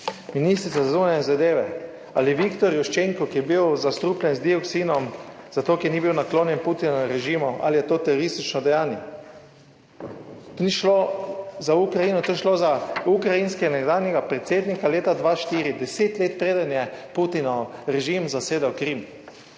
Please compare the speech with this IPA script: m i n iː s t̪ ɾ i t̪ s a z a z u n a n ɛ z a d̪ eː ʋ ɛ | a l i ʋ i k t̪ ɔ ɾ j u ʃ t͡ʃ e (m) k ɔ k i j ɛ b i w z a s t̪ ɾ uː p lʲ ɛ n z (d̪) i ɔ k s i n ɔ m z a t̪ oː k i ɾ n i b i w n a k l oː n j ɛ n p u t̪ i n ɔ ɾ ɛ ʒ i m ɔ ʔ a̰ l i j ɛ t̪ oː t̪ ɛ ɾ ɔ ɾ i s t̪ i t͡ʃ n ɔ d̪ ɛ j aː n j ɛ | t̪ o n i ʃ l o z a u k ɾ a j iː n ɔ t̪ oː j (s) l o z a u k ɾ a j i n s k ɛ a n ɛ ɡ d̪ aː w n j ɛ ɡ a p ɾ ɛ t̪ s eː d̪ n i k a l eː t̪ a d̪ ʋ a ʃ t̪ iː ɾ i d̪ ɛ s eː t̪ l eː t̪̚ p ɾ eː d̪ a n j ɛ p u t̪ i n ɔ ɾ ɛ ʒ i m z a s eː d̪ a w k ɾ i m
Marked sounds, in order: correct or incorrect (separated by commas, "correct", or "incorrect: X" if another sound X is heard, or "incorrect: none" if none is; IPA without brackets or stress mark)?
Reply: incorrect: ŋ, correct, incorrect: ʃ